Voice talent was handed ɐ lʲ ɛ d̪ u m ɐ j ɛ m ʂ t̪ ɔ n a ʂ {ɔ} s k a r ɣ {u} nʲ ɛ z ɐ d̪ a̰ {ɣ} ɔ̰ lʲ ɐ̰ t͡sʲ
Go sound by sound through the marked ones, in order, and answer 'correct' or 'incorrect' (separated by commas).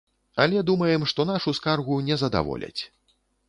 incorrect, correct, incorrect